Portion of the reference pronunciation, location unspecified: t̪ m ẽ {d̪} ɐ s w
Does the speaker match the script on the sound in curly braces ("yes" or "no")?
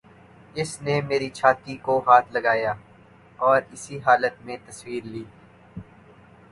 no